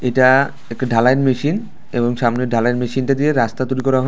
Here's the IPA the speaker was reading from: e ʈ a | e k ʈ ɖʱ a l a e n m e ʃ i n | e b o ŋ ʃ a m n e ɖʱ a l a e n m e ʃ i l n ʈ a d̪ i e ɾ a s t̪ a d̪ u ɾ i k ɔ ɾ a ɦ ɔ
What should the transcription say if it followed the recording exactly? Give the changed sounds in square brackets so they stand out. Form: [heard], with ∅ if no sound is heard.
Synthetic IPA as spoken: e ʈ a | e k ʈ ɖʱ a l a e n m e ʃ i n | e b o ŋ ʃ a m n e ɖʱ a l a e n m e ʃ i [∅] n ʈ a d̪ i e ɾ a s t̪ a [t̪] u ɾ i k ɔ ɾ a ɦ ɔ